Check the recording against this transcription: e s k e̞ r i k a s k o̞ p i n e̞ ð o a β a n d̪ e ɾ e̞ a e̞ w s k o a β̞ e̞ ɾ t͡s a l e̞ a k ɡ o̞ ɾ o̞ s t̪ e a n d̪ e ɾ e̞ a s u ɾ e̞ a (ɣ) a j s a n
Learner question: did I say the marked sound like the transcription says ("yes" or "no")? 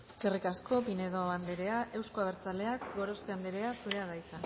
no